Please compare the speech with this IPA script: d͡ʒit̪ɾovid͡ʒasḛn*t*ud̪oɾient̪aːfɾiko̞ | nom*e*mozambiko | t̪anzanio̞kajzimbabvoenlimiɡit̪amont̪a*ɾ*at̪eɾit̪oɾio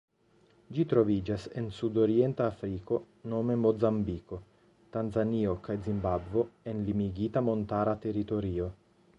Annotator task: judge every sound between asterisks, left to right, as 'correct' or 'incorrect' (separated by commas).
incorrect, correct, correct